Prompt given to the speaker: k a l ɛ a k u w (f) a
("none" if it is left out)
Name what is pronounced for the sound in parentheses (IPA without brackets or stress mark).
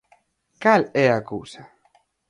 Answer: s